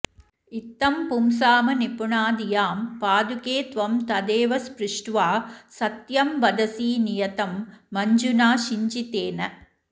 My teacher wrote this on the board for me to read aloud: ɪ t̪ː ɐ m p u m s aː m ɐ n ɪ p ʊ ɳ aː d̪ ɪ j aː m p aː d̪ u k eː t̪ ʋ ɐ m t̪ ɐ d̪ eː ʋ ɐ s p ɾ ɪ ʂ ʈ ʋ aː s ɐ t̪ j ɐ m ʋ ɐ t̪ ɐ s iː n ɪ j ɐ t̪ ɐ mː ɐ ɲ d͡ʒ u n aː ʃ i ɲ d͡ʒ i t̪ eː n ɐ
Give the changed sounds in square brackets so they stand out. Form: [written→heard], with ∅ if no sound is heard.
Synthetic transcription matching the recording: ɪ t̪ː ɐ m p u m s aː m ɐ n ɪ p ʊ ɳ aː d̪ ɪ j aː m p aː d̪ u k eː t̪ ʋ ɐ m t̪ ɐ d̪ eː ʋ ɐ s p ɾ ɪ ʂ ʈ ʋ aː s ɐ t̪ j ɐ m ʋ ɐ [t̪→d̪] ɐ s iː n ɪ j ɐ t̪ ɐ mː ɐ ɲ d͡ʒ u n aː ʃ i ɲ d͡ʒ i t̪ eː n ɐ